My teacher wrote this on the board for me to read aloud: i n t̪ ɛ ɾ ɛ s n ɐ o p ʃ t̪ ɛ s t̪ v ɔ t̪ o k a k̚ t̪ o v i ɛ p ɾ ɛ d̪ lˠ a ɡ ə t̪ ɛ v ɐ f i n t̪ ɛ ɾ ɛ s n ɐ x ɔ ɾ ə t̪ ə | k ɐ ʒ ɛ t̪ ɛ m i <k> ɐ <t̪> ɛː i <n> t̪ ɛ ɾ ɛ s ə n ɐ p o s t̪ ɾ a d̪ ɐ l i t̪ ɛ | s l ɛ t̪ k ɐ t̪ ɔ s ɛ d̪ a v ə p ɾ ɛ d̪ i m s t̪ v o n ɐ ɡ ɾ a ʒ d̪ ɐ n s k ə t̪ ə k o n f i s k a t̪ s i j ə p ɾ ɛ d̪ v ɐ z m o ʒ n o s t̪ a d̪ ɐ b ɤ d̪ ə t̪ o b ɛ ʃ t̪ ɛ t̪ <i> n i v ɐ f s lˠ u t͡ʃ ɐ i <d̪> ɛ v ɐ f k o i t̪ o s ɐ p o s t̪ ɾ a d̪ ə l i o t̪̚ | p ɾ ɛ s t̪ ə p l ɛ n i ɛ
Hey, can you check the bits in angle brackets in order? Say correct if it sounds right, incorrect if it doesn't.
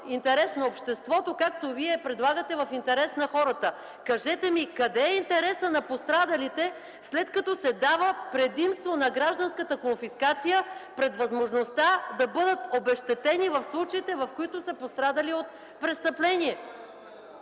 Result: correct, incorrect: d̪, correct, incorrect: ɛ, incorrect: t̪

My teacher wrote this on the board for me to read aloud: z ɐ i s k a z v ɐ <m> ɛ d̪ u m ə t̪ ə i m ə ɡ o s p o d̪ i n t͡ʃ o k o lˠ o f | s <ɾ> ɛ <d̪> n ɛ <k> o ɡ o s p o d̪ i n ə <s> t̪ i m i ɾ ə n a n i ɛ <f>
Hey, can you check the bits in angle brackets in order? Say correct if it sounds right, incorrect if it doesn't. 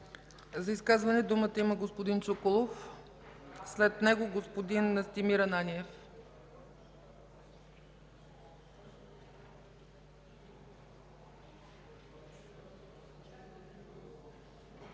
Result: incorrect: n, incorrect: l, incorrect: t̪, incorrect: ɡ, correct, correct

